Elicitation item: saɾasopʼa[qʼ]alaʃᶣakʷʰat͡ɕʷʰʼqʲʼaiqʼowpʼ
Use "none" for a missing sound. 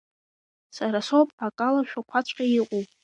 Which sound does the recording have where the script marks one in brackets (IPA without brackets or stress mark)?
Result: kʼ